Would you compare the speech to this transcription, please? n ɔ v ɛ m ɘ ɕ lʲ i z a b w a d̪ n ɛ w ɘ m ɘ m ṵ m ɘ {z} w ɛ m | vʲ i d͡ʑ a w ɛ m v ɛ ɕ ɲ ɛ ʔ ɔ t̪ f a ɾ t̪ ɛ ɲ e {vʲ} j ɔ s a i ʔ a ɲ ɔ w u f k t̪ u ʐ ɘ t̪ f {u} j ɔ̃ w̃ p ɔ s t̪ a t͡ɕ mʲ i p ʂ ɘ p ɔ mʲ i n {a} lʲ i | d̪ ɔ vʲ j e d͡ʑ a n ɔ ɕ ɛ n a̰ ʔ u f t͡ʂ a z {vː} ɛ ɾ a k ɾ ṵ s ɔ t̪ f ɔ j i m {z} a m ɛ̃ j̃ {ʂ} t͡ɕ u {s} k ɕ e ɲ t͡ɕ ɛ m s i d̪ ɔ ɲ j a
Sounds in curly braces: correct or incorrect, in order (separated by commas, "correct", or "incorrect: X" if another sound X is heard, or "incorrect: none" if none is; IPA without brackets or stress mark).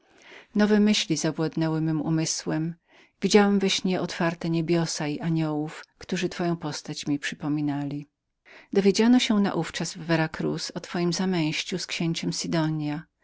incorrect: s, incorrect: bʲ, incorrect: ɔ, correct, correct, correct, incorrect: ɕ, correct